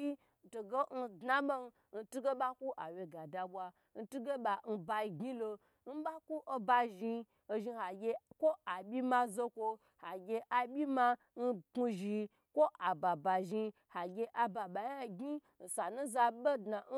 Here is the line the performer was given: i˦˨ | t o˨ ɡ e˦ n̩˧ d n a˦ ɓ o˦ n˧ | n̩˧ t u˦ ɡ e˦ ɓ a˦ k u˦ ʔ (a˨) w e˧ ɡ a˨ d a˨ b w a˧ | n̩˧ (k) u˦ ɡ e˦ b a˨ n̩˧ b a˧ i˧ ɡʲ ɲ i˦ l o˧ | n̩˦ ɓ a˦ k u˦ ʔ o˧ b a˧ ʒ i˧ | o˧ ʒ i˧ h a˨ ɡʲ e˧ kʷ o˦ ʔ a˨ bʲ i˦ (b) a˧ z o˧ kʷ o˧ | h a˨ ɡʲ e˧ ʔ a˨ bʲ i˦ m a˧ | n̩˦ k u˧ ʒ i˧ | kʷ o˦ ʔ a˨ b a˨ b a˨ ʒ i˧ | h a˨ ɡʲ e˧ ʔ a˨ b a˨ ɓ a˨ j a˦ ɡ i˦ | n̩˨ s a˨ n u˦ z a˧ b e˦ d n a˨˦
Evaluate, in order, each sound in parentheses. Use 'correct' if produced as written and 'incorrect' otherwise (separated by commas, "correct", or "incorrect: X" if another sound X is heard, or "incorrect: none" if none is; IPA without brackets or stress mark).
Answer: correct, incorrect: t, incorrect: m